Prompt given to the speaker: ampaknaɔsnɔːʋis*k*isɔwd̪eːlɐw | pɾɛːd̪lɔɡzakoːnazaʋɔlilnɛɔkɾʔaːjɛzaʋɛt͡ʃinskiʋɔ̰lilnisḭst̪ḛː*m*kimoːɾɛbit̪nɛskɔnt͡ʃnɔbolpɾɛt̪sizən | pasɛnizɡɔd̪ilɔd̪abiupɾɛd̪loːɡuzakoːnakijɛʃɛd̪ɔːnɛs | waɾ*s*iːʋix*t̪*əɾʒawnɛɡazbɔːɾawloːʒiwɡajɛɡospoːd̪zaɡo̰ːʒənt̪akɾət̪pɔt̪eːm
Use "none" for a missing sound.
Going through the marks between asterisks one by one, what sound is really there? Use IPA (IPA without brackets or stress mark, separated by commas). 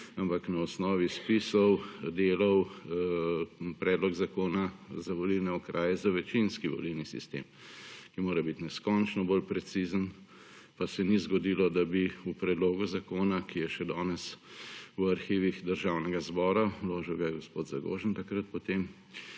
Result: p, m, x, d̪